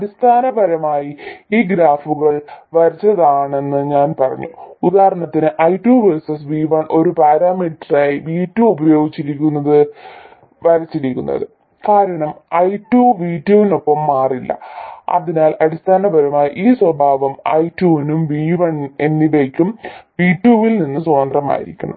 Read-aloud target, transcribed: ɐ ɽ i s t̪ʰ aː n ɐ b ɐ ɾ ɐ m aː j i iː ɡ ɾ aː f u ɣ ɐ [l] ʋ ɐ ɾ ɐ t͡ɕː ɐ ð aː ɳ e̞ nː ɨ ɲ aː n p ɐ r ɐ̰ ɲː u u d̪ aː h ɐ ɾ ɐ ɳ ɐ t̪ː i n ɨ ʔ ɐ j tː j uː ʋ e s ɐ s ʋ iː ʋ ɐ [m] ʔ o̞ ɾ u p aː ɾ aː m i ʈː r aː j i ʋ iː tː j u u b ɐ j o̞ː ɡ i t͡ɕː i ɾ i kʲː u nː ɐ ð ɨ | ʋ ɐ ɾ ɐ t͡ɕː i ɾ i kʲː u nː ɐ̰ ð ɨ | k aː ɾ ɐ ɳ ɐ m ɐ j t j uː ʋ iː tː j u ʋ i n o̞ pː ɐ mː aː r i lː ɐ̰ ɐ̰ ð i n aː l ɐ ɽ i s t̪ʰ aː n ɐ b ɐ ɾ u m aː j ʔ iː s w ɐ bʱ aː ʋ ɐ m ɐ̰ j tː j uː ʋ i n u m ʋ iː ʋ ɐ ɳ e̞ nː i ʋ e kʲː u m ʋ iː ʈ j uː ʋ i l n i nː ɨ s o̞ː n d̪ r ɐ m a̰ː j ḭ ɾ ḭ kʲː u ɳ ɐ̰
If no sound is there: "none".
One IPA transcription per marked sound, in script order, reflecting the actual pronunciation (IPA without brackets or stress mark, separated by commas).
ɭ, ɳ